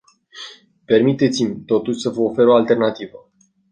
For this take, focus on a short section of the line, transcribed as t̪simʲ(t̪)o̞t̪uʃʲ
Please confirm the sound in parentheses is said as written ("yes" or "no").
yes